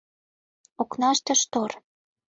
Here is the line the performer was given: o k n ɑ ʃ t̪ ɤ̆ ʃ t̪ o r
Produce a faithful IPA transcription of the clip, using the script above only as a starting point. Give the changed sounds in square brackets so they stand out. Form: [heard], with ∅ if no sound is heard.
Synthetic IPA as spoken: o k n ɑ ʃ t̪ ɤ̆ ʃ t̪ o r